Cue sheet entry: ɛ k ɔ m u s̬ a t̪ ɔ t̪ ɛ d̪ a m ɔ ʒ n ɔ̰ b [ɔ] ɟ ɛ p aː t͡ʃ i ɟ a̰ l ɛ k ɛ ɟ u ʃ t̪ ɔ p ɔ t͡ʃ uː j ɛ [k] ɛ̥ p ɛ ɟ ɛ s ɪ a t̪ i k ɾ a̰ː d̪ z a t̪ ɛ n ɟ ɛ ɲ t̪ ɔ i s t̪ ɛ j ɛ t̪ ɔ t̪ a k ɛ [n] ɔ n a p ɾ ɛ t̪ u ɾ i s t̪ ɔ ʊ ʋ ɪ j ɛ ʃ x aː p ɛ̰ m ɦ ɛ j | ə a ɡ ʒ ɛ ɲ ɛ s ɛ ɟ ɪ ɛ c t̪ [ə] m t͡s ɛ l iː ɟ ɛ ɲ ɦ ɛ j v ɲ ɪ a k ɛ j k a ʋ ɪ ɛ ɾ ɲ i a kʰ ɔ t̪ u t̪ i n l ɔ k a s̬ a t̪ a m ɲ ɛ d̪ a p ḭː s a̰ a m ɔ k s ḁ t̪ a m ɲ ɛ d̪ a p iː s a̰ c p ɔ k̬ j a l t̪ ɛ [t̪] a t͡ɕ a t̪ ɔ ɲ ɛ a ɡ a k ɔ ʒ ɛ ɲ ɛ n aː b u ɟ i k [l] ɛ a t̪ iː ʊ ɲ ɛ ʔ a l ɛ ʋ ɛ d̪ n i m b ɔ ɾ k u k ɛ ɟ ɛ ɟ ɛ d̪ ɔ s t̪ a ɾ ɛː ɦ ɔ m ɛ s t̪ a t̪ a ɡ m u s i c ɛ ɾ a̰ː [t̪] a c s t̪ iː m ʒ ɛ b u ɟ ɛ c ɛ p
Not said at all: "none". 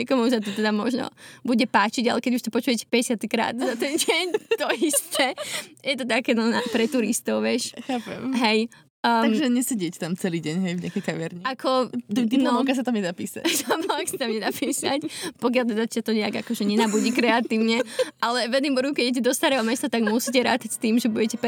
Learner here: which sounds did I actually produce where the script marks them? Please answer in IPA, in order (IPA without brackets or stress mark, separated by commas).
u, c, n, a, d̪, ɾ, t̪